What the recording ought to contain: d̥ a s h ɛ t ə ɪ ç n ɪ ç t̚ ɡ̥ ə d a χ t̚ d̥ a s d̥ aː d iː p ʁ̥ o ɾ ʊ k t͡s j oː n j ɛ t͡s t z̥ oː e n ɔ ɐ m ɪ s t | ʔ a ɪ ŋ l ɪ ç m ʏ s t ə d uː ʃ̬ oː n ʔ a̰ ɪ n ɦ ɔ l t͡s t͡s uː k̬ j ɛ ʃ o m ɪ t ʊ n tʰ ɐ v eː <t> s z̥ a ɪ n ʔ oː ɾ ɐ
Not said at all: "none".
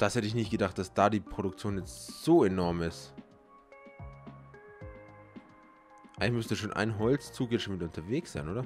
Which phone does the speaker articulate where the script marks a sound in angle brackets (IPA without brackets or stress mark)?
k